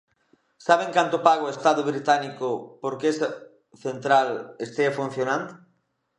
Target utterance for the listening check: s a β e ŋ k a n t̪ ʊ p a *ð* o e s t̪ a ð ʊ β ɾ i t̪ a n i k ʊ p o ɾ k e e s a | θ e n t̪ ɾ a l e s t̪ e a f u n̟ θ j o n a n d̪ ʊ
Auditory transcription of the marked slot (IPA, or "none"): ɣ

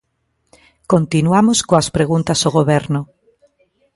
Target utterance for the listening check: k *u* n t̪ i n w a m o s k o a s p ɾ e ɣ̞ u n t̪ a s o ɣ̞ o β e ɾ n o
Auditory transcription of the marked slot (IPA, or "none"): o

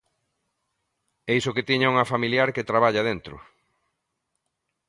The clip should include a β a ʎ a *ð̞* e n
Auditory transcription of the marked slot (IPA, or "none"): ð̞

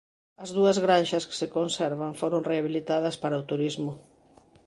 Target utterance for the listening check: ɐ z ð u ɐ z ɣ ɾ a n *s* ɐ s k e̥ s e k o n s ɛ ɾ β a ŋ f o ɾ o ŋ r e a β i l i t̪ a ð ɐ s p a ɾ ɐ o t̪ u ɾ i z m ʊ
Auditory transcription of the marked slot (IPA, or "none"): ʃ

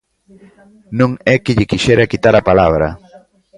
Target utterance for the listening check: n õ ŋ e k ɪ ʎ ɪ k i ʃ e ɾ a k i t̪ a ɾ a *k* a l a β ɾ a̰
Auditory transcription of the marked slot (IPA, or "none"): p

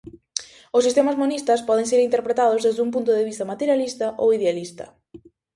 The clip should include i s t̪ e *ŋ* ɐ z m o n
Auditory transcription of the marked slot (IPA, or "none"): m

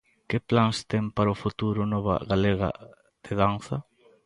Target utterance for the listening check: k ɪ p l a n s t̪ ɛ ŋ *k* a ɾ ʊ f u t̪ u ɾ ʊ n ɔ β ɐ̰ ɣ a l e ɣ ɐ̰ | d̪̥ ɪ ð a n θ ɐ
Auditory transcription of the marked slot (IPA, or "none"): p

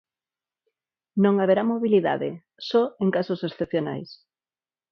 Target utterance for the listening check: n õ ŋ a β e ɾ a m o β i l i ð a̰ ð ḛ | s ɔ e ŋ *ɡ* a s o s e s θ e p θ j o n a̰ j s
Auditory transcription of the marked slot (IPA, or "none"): k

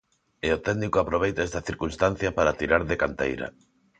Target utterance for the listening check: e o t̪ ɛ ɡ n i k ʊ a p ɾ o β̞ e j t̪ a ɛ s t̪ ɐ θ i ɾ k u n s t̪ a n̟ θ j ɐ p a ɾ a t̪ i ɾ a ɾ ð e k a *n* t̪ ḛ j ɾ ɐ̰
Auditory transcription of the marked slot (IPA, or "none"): n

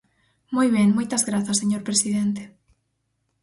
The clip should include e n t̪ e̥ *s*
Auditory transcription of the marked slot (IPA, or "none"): none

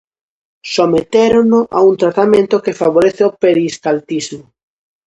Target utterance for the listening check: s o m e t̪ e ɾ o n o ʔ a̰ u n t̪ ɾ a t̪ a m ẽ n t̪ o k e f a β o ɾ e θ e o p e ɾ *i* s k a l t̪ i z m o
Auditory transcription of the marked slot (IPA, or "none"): i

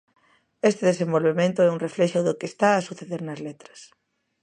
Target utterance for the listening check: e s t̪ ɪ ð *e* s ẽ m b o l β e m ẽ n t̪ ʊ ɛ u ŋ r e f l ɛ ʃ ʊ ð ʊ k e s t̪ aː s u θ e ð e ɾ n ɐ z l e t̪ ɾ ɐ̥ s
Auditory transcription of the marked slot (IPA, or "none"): e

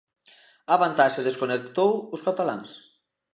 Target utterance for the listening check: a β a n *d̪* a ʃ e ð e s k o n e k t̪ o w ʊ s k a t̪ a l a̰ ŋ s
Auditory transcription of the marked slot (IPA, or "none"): t̪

